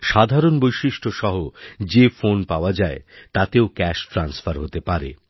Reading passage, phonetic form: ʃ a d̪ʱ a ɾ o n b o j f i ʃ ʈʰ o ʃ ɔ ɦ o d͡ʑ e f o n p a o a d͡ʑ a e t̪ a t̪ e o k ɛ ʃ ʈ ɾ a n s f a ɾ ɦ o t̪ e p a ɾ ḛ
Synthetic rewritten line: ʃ a d̪ʱ a ɾ o n b o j ʃ i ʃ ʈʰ o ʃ ɔ ɦ o d͡ʑ e f o n p a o a d͡ʑ a e t̪ a t̪ e o k ɛ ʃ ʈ ɾ a n s f a ɾ ɦ o t̪ e p a ɾ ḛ

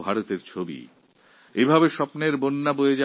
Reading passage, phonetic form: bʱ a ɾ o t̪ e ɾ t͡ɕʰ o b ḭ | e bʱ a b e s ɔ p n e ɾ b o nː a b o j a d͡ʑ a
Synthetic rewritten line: bʱ a ɾ o t̪ e ɾ t͡ɕʰ o b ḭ | e bʱ a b e ʃ ɔ p n e ɾ b o nː a b o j e d͡ʑ a

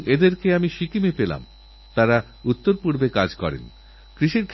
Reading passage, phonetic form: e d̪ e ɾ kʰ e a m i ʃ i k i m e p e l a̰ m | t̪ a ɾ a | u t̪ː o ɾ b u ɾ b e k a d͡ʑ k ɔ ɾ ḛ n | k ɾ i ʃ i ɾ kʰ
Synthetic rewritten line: e d̪ e ɾ k e a m i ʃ i k i m e p e l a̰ m | t̪ a ɾ a | u t̪ː o ɾ p u ɾ b e k a d͡ʑ k ɔ ɾ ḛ n | k ɾ i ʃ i ɾ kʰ

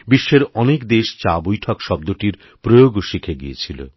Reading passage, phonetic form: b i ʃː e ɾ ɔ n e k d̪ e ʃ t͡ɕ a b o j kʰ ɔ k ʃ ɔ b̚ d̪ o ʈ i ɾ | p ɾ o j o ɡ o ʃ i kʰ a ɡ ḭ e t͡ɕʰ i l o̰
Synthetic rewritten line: b i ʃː e ɾ ɔ n e k d̪ e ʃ t͡ɕ a b o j ʈʰ ɔ k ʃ ɔ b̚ d̪ o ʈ i ɾ | p ɾ o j o ɡ o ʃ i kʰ e ɡ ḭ e t͡ɕʰ i l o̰

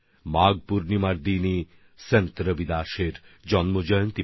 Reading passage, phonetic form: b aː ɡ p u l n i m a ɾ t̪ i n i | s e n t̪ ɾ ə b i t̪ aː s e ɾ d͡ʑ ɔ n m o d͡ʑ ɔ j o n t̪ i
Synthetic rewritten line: m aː ɡ p u ɾ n i m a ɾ d̪ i n i | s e n t̪ ɾ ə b i d̪ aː ʃ e ɾ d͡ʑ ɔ n m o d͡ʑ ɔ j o n t̪ i

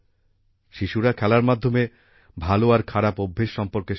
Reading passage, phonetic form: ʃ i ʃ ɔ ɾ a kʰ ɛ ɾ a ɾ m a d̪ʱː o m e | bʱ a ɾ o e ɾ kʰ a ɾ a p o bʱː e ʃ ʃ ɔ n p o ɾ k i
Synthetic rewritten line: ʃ i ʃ u ɾ a kʰ ɛ l a ɾ m a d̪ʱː o m e | bʱ a l o a ɾ kʰ a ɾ a p o bʱː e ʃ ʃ ɔ m p o ɾ k e

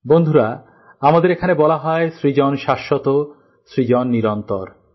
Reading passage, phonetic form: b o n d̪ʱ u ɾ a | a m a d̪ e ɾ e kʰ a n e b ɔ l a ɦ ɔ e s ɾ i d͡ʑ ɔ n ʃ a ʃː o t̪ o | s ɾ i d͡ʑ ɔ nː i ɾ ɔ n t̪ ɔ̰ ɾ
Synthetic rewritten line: b o n d̪ʱ u ɾ a | a m a d̪ e ɾ e kʰ a n e b ɔ l a ɦ ɔ e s ɾ i d͡ʑ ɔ n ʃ a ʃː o t̪ o | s ɾ i d͡ʑ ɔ nː i ɾ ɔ n t̪ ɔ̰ ɾ

